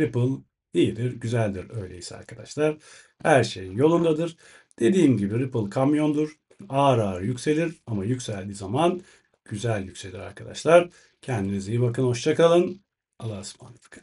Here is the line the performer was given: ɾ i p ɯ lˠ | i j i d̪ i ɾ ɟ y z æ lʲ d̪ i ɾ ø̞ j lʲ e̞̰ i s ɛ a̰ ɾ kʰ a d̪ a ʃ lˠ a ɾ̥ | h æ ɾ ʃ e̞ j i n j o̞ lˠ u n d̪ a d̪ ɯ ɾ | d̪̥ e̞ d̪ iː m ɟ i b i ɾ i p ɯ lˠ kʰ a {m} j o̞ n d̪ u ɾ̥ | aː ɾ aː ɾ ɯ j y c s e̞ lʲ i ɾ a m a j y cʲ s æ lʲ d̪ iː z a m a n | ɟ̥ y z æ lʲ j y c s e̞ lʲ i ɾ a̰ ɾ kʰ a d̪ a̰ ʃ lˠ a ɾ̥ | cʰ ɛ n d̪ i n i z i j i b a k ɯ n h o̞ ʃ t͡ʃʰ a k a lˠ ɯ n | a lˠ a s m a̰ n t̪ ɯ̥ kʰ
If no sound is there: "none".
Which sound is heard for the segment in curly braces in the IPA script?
m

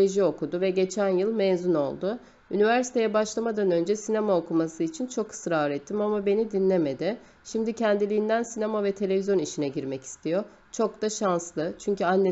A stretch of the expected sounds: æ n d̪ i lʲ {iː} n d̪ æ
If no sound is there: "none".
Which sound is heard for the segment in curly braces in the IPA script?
iː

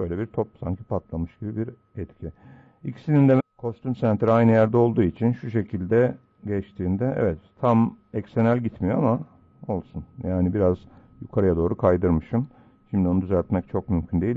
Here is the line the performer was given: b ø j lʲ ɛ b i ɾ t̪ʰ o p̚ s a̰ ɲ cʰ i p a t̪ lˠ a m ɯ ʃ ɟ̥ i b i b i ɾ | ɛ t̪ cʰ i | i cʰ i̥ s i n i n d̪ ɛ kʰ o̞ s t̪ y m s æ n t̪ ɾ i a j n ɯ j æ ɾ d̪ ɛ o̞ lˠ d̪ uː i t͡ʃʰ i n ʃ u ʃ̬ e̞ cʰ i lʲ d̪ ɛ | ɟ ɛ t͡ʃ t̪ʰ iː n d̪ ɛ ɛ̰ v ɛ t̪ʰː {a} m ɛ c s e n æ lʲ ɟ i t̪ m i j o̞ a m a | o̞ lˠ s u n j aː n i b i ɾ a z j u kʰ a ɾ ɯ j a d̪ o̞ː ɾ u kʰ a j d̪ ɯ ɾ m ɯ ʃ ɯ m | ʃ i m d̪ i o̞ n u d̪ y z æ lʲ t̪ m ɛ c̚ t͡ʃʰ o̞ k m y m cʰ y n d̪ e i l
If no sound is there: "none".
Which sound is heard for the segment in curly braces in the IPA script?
a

